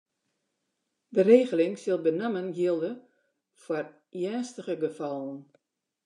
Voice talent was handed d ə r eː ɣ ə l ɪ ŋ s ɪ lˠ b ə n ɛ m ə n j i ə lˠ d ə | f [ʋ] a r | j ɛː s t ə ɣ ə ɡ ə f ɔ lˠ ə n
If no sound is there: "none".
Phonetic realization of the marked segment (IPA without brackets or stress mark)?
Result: w